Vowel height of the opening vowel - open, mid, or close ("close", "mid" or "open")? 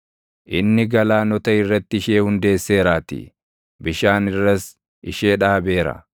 close